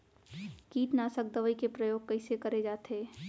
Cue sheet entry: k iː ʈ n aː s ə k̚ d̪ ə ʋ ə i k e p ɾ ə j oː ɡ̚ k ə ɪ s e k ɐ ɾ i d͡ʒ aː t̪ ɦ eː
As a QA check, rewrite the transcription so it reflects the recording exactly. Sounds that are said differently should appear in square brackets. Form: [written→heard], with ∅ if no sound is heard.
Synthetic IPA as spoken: k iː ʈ n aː s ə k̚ d̪ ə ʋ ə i k e p ɾ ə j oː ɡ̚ k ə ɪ s e k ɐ ɾ [i→e] d͡ʒ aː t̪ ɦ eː